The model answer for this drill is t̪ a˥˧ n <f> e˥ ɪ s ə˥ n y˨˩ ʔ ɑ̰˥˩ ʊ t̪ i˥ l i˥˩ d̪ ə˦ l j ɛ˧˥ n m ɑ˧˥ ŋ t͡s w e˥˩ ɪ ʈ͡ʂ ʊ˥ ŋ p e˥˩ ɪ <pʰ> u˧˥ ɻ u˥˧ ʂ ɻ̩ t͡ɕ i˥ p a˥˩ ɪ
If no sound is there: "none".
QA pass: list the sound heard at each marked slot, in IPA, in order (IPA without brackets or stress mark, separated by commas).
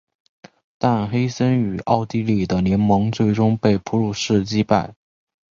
x, pʰ